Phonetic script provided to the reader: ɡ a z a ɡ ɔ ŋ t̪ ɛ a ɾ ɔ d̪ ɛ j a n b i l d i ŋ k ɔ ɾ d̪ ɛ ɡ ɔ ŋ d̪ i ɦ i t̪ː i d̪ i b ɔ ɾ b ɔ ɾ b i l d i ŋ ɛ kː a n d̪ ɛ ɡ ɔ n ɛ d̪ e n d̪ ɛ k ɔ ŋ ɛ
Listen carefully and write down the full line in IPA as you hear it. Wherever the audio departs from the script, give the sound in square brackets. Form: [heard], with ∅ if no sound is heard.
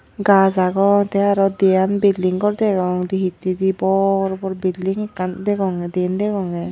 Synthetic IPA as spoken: ɡ a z a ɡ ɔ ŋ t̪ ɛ a ɾ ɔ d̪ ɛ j a n b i l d i ŋ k ɔ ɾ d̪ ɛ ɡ ɔ ŋ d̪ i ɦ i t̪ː i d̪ i b ɔ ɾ b ɔ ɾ b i l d i ŋ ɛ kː a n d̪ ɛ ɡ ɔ [ŋ] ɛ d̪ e n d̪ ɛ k ɔ ŋ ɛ